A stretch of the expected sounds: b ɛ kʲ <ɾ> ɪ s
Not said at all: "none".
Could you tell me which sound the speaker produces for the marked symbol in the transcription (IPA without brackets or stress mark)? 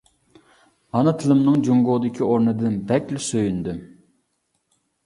l